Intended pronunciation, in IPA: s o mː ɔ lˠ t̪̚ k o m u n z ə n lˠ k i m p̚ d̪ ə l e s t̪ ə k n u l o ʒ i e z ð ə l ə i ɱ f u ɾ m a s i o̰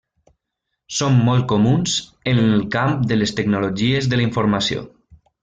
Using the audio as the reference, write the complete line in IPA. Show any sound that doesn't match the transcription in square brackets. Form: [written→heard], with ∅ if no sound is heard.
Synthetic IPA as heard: s o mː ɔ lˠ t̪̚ k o m u n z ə n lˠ k [i→a] m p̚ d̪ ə l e s t̪ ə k n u l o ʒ i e z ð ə l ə i ɱ f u ɾ m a s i o̰